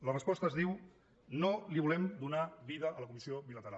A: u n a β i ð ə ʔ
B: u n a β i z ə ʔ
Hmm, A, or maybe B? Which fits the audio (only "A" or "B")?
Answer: A